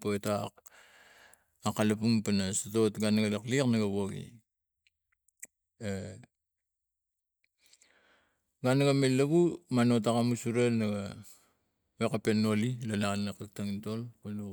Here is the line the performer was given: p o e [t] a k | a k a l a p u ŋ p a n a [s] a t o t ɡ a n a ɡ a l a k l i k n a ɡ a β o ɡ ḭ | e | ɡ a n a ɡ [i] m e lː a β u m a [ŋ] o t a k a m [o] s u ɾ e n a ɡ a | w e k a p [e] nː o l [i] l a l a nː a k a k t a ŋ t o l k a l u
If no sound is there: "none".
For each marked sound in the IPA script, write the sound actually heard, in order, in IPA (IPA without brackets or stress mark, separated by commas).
t, s, a, n, u, e, i